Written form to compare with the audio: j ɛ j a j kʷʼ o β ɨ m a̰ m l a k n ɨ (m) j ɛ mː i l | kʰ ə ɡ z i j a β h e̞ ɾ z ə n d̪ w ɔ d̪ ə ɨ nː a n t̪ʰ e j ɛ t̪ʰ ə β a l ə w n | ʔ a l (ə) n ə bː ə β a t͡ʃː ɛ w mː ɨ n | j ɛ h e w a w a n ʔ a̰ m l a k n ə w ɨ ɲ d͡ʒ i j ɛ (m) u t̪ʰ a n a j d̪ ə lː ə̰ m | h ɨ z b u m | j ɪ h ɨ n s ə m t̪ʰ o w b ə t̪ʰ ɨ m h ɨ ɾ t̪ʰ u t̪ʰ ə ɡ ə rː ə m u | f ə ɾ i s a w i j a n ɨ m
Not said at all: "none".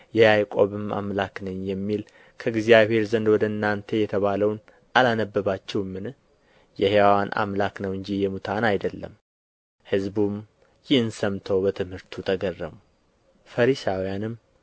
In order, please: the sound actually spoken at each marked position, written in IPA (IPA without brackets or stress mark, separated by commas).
ɲ, a, m